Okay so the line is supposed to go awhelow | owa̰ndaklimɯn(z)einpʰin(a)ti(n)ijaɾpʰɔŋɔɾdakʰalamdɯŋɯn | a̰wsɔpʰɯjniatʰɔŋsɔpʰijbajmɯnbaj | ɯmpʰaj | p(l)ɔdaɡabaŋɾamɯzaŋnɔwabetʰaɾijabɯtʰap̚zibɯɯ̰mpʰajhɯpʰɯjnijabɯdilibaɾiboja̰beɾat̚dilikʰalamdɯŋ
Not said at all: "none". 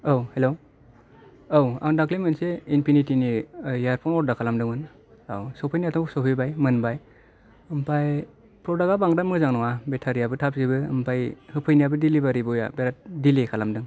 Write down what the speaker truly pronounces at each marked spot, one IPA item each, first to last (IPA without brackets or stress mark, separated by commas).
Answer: s, i, n, ɾ